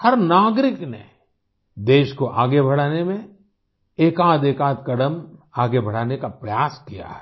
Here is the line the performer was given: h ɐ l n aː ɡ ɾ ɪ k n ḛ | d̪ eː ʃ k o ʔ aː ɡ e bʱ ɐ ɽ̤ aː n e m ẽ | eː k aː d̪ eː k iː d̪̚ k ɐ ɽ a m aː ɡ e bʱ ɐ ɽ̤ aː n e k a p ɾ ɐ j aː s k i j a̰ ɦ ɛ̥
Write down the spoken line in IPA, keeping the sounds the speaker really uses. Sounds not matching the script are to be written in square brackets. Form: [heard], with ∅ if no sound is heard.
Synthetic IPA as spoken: h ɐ [ɾ] n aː ɡ ɾ ɪ k n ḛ | d̪ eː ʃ k o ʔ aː ɡ e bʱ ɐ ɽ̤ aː n e m ẽ | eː k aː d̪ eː k [aː] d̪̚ k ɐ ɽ [ə] m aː ɡ e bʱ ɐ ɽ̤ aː n e k a p ɾ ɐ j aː s k i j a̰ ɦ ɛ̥